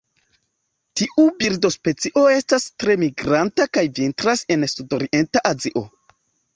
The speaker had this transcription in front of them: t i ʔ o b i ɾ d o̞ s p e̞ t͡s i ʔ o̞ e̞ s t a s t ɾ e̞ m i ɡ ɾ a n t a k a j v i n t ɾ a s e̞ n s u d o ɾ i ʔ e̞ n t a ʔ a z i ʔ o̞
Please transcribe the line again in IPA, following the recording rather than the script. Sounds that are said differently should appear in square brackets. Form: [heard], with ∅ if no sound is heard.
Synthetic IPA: t i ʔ [u] b i ɾ d o̞ s p e̞ t͡s i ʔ o̞ e̞ s t a s t ɾ e̞ m i ɡ ɾ a n t a k a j v i n t ɾ a s e̞ n s u d o ɾ i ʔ e̞ n t a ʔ a z i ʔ o̞